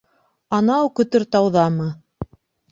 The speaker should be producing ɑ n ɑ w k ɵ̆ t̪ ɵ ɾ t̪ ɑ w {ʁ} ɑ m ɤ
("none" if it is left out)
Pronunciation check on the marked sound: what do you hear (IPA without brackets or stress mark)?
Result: ð